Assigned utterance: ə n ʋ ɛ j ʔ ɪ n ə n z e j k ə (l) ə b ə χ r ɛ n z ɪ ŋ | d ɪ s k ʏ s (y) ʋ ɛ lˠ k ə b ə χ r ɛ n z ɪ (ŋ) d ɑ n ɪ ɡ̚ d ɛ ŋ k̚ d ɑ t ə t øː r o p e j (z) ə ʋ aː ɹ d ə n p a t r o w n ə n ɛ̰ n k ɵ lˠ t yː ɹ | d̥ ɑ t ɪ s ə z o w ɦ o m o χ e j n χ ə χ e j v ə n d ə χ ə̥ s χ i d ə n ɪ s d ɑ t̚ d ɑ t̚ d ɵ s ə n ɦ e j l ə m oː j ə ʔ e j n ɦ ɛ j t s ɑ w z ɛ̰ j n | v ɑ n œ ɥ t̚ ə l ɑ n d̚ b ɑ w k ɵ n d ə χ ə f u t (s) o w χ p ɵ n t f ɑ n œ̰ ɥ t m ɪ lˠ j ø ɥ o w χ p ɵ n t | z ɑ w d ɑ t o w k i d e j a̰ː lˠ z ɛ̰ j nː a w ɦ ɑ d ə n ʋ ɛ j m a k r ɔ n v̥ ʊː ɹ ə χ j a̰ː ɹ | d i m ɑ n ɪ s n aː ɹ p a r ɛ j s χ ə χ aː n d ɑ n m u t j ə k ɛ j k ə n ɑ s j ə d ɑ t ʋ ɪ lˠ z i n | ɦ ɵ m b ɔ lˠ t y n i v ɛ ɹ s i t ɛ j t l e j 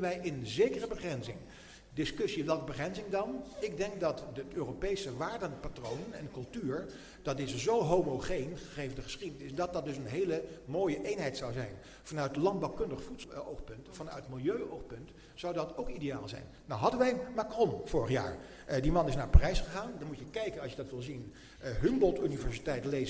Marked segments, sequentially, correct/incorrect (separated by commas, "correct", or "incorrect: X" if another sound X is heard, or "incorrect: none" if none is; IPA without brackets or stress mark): incorrect: r, incorrect: i, correct, incorrect: s, correct